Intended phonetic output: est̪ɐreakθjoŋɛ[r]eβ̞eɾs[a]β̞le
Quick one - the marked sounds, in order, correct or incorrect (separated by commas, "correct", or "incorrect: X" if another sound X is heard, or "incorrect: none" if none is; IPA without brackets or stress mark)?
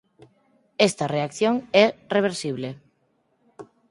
correct, incorrect: i